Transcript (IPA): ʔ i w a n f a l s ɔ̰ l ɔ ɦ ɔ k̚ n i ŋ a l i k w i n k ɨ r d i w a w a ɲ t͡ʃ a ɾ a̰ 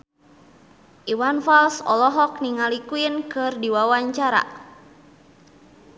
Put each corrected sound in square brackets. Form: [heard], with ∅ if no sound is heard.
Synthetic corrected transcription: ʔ i w a n f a l s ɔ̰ l ɔ ɦ ɔ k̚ n i ŋ a l i k [u] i n k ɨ r d i w a w a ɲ t͡ʃ a ɾ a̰